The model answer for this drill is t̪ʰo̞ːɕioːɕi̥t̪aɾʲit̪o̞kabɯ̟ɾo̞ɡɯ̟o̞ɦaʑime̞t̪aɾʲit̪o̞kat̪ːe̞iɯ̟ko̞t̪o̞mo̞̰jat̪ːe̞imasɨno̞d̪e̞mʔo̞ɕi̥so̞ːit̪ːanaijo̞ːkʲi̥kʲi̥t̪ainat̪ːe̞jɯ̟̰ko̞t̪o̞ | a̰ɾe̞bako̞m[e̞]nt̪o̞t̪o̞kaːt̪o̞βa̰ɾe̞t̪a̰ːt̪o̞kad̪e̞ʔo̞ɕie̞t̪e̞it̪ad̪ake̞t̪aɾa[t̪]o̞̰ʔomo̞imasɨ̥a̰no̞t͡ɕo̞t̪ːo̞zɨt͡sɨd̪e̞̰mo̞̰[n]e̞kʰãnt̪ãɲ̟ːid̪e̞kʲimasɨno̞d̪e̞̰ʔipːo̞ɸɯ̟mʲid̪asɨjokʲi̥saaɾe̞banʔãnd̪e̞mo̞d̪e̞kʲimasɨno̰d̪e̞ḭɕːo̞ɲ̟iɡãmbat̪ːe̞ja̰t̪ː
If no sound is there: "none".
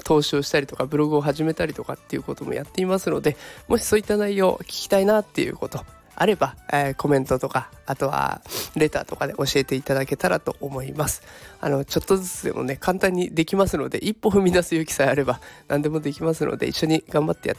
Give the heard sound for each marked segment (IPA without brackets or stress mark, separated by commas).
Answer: ẽ̞, t̪, n